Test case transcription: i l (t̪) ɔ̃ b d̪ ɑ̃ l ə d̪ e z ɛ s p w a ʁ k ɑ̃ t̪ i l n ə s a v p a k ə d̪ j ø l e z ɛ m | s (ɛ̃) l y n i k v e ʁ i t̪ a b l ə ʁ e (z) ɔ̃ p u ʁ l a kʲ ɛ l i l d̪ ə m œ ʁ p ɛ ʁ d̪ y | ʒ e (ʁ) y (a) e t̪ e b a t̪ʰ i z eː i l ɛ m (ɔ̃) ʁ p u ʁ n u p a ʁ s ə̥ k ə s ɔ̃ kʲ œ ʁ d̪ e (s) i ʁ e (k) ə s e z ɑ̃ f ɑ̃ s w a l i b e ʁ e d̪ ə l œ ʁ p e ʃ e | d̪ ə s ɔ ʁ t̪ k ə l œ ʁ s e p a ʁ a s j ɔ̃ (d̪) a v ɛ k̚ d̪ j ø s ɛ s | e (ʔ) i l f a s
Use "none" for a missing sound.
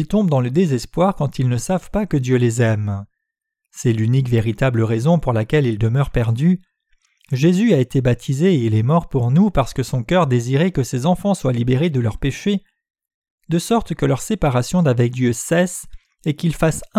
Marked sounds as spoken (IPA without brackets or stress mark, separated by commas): t̪, ɛ, z, z, a, ɔ, z, k, d̪, k